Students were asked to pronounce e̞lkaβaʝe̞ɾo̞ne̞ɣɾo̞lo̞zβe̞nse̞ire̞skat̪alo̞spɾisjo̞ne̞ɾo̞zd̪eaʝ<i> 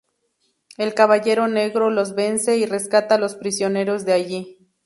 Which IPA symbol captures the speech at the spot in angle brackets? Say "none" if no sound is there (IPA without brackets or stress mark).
i